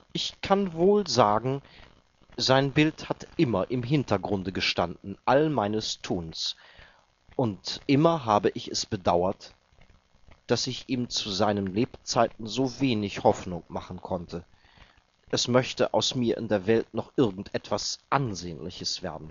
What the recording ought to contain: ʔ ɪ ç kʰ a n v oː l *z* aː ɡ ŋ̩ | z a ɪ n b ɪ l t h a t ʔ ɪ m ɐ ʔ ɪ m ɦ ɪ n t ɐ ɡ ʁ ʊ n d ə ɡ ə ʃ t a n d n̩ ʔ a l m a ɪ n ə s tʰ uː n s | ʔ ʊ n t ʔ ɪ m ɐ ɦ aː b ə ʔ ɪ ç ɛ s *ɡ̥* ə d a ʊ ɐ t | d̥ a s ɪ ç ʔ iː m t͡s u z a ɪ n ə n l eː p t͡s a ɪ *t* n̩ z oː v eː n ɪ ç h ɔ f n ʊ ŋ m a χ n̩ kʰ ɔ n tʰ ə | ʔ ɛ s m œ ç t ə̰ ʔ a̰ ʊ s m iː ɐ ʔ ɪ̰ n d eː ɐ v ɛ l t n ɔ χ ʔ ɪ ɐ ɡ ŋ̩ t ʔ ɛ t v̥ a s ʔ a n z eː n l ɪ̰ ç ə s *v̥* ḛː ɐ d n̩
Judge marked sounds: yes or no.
yes, no, yes, yes

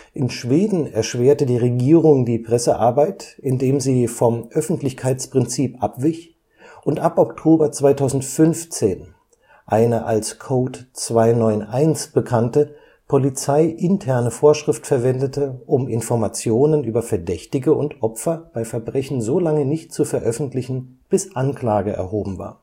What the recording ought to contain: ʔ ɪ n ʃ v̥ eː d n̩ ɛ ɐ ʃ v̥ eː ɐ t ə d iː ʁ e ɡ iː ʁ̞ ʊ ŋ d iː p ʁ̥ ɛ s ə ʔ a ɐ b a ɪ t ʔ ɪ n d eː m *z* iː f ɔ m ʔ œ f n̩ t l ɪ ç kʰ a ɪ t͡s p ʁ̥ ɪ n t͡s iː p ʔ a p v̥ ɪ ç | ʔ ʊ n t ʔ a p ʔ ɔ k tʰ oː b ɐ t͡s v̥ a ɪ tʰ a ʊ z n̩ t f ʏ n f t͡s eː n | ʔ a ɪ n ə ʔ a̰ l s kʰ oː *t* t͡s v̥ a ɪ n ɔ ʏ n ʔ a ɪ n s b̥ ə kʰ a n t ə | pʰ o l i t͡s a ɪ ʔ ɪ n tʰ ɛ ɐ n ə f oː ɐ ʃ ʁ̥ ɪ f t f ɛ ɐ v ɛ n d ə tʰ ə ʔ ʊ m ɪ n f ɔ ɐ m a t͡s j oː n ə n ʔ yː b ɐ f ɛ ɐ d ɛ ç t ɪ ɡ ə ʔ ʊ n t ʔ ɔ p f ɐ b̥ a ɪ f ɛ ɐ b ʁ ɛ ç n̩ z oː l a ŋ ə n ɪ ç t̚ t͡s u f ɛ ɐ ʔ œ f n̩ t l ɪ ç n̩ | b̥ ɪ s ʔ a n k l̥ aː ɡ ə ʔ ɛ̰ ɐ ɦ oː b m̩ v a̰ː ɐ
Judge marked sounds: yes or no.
yes, yes

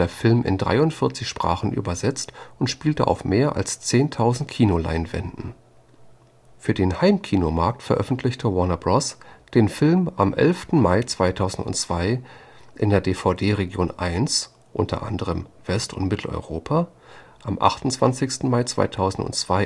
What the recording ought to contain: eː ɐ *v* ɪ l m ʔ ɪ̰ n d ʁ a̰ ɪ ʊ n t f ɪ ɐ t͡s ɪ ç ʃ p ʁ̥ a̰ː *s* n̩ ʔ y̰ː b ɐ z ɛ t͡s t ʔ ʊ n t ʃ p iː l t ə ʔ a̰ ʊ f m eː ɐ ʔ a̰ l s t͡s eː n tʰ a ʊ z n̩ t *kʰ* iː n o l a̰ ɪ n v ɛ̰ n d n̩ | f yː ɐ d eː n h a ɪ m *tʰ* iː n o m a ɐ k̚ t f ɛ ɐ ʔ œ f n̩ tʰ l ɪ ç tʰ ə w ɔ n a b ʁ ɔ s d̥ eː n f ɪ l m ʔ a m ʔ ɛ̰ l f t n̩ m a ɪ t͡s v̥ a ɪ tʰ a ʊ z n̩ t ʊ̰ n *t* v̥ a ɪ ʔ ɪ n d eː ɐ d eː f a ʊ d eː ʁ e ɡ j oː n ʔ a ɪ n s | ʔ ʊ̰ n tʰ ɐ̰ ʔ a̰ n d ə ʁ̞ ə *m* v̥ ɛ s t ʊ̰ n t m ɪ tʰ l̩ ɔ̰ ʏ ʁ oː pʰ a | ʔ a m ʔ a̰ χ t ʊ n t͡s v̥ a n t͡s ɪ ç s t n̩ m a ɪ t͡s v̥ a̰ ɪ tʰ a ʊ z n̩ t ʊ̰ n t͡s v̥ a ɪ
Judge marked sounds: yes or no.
no, no, yes, no, no, yes

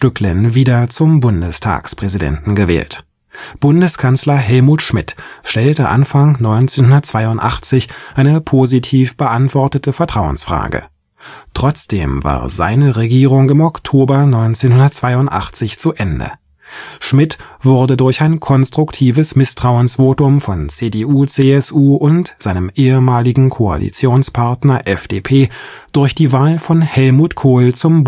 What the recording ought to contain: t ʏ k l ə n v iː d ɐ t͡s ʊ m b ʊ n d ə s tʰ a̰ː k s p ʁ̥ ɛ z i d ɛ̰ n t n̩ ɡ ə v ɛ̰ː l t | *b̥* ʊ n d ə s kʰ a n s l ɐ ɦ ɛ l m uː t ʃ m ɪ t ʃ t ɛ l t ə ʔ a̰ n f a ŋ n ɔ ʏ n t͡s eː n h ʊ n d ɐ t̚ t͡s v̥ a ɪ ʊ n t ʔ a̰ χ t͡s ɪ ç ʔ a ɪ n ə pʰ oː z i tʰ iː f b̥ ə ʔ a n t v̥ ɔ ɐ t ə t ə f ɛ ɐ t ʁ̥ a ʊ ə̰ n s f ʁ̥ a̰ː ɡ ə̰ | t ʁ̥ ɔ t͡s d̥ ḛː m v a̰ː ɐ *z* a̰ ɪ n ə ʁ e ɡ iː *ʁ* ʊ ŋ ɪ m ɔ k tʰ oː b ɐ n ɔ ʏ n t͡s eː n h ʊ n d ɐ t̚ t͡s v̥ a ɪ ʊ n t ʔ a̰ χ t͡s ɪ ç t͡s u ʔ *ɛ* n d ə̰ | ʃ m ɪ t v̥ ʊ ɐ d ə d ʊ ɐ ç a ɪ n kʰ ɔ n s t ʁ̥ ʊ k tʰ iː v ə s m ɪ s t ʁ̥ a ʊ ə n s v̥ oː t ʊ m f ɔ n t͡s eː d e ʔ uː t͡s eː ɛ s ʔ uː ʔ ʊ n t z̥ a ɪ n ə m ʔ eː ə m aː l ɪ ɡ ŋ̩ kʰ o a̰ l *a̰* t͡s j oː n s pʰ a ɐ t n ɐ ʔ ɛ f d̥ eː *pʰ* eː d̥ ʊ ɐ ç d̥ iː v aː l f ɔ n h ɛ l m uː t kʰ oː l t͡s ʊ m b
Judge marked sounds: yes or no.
yes, yes, yes, yes, no, yes

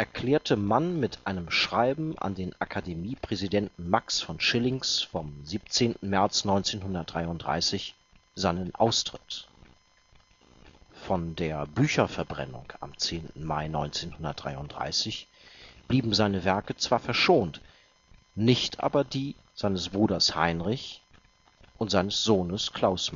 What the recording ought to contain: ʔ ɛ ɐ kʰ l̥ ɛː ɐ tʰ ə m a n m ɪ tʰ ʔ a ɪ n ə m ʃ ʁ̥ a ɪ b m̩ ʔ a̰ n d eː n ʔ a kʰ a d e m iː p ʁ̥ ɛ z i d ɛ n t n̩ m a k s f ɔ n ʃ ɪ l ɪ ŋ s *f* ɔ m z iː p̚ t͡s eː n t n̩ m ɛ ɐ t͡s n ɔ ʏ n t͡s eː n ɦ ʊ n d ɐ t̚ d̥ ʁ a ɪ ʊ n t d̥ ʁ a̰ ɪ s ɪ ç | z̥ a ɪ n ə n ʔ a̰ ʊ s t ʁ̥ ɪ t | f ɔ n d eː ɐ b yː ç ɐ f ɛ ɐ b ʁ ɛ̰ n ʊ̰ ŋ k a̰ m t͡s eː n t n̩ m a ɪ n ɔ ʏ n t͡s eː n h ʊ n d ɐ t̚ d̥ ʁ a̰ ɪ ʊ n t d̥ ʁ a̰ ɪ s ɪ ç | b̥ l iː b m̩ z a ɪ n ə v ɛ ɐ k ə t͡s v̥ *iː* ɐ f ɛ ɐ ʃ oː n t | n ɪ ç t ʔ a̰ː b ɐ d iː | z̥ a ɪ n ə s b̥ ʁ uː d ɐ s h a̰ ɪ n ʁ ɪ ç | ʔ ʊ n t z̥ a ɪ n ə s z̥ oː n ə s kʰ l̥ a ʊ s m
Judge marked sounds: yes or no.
yes, no

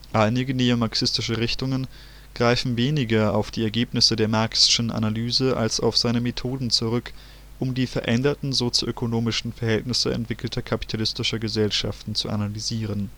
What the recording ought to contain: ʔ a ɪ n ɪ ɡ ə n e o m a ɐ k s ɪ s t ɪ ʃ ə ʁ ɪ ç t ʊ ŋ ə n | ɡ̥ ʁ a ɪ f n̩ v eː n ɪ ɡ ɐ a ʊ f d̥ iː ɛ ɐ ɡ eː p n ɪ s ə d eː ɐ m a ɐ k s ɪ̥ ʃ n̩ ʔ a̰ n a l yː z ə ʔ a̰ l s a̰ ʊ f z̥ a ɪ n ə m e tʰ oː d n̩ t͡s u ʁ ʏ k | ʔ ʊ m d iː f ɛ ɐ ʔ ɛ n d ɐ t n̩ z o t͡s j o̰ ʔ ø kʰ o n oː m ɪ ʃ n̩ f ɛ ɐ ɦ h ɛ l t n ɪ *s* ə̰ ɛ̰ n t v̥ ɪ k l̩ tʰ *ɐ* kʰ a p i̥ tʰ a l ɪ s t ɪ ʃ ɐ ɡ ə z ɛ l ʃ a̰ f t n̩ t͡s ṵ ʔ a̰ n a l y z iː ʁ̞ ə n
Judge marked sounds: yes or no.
yes, yes

